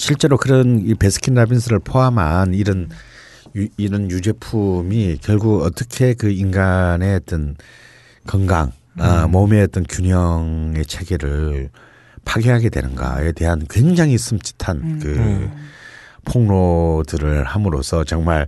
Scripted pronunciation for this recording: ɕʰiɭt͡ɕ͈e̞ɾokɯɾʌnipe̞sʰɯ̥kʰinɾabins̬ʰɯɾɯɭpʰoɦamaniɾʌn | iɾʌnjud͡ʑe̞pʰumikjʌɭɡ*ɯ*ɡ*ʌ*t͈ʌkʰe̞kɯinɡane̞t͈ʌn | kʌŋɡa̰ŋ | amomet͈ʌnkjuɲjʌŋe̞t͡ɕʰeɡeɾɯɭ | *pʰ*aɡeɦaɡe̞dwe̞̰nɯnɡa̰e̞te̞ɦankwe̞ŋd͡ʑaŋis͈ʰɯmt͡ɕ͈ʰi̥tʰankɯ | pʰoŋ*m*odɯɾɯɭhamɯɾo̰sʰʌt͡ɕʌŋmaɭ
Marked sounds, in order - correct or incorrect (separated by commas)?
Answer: incorrect, correct, correct, incorrect